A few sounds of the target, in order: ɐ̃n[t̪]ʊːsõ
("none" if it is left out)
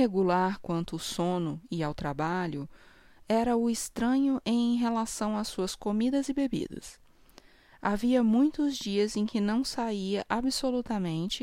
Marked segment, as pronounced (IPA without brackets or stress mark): t̪